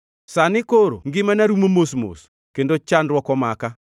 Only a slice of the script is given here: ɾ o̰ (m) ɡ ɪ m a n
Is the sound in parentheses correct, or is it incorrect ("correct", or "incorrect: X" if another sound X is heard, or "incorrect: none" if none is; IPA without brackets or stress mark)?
incorrect: ŋ